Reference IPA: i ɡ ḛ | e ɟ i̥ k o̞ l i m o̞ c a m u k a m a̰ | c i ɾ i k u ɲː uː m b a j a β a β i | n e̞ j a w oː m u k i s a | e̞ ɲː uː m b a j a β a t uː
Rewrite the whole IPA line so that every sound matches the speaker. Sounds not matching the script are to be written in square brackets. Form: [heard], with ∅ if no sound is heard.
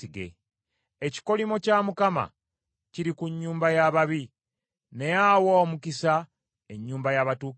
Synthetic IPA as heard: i ɡ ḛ | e [c] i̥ k o̞ l i m o̞ c a m u k a m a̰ | c i ɾ i k u ɲː uː m b a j a β a β i | n e̞ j a w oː m u k i s a | e̞ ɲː uː m b a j a β a t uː

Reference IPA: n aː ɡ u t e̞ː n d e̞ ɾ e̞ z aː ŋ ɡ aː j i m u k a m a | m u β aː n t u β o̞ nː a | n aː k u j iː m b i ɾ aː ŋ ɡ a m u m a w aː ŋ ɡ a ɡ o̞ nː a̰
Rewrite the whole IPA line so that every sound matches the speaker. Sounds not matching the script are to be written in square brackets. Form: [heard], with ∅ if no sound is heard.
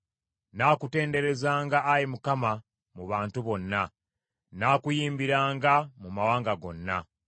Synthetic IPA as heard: n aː [k] u t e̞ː n d e̞ ɾ e̞ z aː ŋ ɡ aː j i m u k a m a | m u β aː n t u β o̞ nː a | n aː k u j iː m b i ɾ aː ŋ ɡ a m u m a w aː ŋ ɡ a ɡ o̞ nː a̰

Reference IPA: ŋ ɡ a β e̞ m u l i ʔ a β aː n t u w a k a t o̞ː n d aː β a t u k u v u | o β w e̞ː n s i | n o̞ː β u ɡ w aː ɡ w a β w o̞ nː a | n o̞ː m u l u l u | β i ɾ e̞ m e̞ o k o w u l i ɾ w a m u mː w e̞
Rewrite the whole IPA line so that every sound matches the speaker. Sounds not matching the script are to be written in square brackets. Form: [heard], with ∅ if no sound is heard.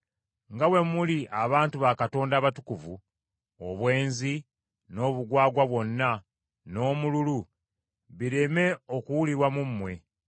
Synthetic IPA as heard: ŋ ɡ a [w] e̞ m u l i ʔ a β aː n t u [β] a k a t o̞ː n d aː β a t u k u v u | o β w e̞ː n [z] i | n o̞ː β u ɡ w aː ɡ w a β w o̞ nː a | n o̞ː m u l u l u | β i ɾ e̞ m e̞ o k [u] w u l i ɾ w a m u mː w e̞

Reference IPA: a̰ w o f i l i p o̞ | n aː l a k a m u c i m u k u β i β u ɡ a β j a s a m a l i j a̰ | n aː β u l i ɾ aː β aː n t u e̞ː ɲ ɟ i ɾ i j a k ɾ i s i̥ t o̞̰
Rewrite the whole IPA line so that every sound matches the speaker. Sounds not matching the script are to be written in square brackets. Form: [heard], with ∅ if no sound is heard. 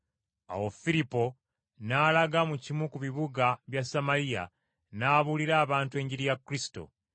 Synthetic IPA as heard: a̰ w o f i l i p o̞ | n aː l a [ɡ] a m u c i m u k u β i β u ɡ a β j a s a m a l i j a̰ | n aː β u l i ɾ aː β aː n t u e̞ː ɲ ɟ i ɾ i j a k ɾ i s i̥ t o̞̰

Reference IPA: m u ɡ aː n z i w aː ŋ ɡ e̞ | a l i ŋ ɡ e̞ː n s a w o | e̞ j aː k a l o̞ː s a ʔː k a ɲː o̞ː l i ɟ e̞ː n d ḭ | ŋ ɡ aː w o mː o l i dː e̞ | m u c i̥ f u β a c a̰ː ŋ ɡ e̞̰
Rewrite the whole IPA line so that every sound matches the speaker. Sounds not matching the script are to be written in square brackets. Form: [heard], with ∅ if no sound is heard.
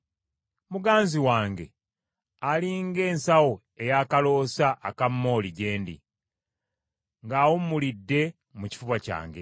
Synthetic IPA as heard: m u ɡ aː n z i w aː ŋ ɡ e̞ | a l i ŋ ɡ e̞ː n s a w o | e̞ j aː k a l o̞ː s a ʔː k a [mː] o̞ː l i ɟ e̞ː n d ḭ | ŋ ɡ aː w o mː [u] l i dː e̞ | m u c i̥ f u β a c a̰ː ŋ ɡ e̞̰

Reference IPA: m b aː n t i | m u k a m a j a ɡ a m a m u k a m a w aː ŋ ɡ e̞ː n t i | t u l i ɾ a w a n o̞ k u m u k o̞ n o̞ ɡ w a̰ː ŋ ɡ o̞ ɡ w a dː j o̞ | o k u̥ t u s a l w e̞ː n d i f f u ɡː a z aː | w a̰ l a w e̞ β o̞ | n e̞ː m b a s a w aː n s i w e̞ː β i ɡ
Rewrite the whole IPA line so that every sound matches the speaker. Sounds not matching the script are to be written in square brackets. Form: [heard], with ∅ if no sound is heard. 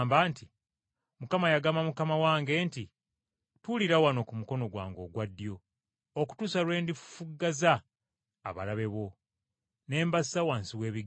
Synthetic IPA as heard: m b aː n t i | m u k a m a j a ɡ a m a m u k a m a w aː ŋ ɡ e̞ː n t i | t u l i ɾ a w a n o̞ k u m u k o̞ n o̞ ɡ w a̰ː ŋ ɡ o̞ ɡ w a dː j o̞ | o k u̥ t u s a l w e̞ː n d i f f u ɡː a z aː | [β] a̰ l a [β] e̞ β o̞ | n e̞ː m b a s a w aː n s i w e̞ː β i ɡ

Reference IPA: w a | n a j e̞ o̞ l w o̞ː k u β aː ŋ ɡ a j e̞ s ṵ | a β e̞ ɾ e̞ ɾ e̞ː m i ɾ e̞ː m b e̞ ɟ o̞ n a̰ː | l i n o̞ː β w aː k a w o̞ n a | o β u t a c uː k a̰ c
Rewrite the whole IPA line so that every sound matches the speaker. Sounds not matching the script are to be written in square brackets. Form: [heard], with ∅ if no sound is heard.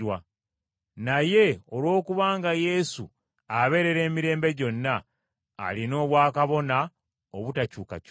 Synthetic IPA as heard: w a | n a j e̞ o̞ l w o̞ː k u β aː ŋ ɡ a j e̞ s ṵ | a β e̞ ɾ e̞ ɾ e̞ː m i ɾ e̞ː m b e̞ ɟ o̞ [nː] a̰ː | l i n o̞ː β w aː k a [β] o̞ n a | o β u t a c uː k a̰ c

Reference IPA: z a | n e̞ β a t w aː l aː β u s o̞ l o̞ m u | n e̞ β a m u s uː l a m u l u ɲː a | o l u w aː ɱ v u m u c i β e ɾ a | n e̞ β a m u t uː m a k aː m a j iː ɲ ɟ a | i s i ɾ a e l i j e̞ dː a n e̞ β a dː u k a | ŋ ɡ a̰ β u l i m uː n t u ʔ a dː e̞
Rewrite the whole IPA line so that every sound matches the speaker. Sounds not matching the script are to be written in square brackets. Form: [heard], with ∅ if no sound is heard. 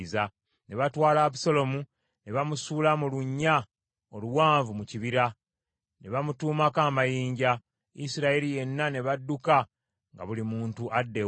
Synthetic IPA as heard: z a | n e̞ β a t w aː l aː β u s o̞ l o̞ m u | n e̞ β a m u s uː l a m u l u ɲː a | o l u w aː ɱ v u m u c i β [i] ɾ a | n e̞ β a m u t uː m a k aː m a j iː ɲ ɟ a | i s i ɾ a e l i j e̞ [nː] a n e̞ β a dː u k a | ŋ ɡ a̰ β u l i m uː n t u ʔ a dː e̞

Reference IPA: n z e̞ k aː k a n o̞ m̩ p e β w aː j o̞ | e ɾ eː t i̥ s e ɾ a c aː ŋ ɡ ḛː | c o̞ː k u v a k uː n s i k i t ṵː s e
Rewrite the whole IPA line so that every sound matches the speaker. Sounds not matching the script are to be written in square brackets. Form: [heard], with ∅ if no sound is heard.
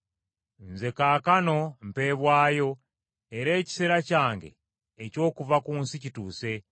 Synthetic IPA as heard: n z e̞ k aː k a n o̞ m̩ p e β w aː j o̞ | e ɾ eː [c] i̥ s e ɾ a c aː ŋ ɡ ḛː | c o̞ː k u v a k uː n s i [c] i t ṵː s e

